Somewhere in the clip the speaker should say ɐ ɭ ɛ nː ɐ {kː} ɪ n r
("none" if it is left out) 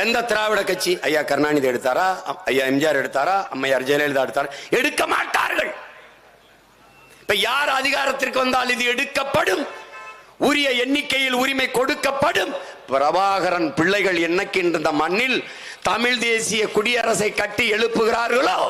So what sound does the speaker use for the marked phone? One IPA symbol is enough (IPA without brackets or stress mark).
kː